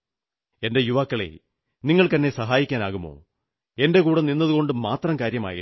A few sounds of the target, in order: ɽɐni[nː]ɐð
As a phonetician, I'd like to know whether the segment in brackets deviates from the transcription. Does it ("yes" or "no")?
no